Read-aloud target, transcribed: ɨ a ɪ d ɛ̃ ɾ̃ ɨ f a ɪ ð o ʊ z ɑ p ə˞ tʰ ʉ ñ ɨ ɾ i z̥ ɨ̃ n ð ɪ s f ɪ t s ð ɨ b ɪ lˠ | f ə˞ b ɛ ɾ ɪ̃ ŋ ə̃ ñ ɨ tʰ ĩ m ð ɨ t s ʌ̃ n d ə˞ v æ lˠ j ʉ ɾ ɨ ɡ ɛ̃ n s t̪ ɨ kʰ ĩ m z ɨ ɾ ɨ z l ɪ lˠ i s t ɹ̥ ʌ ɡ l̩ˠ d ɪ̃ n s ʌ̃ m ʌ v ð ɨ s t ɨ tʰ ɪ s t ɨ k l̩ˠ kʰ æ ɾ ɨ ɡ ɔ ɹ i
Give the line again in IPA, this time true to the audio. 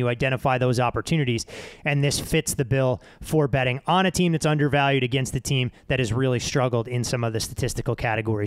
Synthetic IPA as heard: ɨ a ɪ d ɛ̃ ɾ̃ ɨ f a ɪ ð o ʊ z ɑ p ə˞ tʰ ʉ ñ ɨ ɾ i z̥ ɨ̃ n ð ɪ s f ɪ t s ð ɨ b ɪ lˠ | f ə˞ b ɛ ɾ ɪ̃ ŋ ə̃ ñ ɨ tʰ ĩ m ð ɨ t s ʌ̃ n d ə˞ v æ lˠ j ʉ ɾ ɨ ɡ ɛ̃ n s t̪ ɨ tʰ ĩ m ð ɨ ɾ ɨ z ɹ ɪ lˠ i s t ɹ̥ ʌ ɡ l̩ˠ d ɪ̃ n s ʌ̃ m ʌ v ð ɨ s t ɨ tʰ ɪ s t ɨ k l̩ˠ kʰ æ ɾ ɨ ɡ ɔ ɹ i

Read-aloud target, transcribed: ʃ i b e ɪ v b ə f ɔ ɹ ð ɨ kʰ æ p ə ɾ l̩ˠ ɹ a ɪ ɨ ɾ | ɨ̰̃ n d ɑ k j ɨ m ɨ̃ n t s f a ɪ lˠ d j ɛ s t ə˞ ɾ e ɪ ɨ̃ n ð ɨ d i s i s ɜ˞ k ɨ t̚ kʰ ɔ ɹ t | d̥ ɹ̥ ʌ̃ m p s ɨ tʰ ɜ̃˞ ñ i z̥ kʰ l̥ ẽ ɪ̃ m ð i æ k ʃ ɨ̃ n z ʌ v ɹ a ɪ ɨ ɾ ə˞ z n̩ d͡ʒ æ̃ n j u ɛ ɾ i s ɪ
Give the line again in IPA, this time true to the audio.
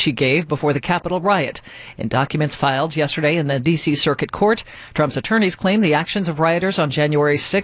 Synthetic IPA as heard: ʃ i ɡ e ɪ v b ə f ɔ ɹ ð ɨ kʰ æ p ə ɾ l̩ˠ ɹ a ɪ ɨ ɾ | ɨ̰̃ n d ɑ k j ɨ m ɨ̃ n t s f a ɪ lˠ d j ɛ s t ə˞ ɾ e ɪ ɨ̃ n ð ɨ d i s i s ɜ˞ k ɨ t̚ kʰ ɔ ɹ t | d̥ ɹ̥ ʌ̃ m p s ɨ tʰ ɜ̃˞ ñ i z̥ kʰ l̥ ẽ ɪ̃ m ð i æ k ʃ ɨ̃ n z ʌ v ɹ a ɪ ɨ ɾ ə˞ z n̩ d͡ʒ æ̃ n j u ɛ ɹ i s ɪ

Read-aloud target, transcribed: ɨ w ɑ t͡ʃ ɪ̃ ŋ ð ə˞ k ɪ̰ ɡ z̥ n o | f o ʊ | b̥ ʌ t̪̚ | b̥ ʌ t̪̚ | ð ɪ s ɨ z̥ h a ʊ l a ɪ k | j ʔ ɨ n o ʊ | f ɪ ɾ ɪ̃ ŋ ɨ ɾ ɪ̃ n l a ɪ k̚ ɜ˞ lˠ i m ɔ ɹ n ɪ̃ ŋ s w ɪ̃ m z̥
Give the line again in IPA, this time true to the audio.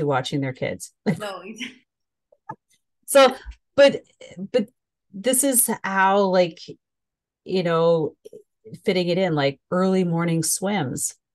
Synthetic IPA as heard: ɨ w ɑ t͡ʃ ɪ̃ ŋ ð ə˞ kʰ ɪ̰ d z̥ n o | s o ʊ | b̥ ʌ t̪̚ | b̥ ʌ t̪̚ | ð ɪ s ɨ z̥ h a ʊ l a ɪ k | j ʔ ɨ n o ʊ | f ɪ ɾ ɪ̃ ŋ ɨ ɾ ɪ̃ n l a ɪ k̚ ɜ˞ lˠ i m ɔ ɹ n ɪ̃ ŋ s w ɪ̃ m z̥

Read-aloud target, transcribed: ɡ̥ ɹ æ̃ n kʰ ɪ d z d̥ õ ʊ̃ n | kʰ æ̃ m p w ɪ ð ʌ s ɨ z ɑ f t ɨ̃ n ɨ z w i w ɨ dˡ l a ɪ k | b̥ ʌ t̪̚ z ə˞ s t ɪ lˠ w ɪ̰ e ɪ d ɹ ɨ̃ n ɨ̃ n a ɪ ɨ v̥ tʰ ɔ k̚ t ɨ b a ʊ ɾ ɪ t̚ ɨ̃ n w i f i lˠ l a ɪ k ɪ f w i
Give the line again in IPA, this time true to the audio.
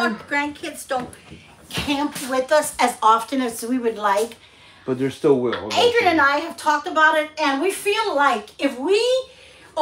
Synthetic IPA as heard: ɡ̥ ɹ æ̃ n kʰ ɪ d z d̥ õ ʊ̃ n | kʰ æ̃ m p w ɪ ð ʌ s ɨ z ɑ f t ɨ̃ n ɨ z w i w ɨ dˡ l a ɪ k | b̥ ʌ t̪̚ ð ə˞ s t ɪ lˠ w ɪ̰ e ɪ d ɹ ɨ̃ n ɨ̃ n a ɪ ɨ v̥ tʰ ɔ k̚ t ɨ b a ʊ ɾ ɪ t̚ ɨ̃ n w i f i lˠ l a ɪ k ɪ f w i

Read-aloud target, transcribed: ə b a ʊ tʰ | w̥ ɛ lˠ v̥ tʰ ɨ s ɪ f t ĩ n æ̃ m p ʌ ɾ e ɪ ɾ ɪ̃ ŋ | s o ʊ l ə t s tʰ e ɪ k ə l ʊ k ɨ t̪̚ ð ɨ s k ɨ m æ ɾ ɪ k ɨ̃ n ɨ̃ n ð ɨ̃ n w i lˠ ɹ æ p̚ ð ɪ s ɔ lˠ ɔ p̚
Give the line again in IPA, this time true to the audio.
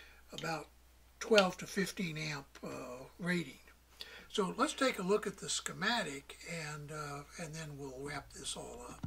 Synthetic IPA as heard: ə b a ʊ tʰ | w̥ ɛ lˠ v̥ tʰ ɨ f ɪ f t ĩ n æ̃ m p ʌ ɹ e ɪ ɾ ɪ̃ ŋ | s o ʊ l ə t s tʰ e ɪ k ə l ʊ k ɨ t̪̚ ð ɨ s k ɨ m æ ɾ ɪ k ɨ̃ n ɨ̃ n ð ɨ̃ n w i lˠ ɹ æ p̚ ð ɪ s ɔ lˠ ʌ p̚

